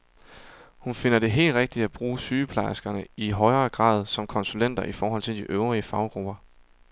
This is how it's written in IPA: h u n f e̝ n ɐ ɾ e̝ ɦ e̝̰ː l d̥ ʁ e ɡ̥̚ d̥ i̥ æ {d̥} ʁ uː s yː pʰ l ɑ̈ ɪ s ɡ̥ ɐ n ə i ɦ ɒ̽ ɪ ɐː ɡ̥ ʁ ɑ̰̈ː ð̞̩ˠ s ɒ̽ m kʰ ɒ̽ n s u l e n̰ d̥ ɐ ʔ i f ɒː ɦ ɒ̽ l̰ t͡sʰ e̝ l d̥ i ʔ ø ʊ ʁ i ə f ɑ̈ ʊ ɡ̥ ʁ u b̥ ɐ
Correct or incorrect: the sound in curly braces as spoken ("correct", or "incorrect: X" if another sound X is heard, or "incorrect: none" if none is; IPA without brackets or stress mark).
incorrect: b̥